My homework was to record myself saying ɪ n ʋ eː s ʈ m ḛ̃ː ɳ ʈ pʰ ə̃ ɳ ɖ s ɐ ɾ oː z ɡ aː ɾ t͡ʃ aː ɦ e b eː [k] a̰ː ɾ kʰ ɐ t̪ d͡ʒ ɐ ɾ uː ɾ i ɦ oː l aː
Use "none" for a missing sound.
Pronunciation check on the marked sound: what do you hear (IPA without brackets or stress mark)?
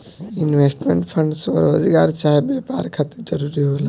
p